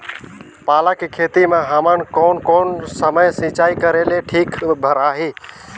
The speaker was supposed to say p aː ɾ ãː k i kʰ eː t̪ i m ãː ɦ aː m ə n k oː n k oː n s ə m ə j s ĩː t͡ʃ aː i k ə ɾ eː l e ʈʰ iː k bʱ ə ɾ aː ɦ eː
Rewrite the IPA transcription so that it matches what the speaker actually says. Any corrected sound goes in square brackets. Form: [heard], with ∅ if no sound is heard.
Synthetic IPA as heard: p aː [l] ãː k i kʰ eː t̪ i m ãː ɦ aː m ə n k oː n k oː n s ə m ə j s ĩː t͡ʃ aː i k ə ɾ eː l e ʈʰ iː k bʱ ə ɾ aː ɦ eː